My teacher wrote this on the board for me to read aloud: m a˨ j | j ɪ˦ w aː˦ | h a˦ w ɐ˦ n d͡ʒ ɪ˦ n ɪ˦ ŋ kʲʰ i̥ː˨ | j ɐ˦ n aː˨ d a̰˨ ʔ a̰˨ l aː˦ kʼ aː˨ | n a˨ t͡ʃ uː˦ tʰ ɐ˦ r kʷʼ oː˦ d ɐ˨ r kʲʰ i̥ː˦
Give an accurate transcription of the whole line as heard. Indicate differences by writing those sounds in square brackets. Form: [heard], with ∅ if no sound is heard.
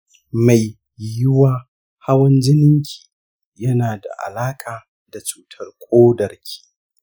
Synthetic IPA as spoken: m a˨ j | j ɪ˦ w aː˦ | h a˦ w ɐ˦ n d͡ʒ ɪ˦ n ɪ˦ ŋ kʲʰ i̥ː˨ | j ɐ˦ n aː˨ d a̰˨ ʔ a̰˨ l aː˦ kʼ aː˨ | [d] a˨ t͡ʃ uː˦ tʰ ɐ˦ r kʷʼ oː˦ d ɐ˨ r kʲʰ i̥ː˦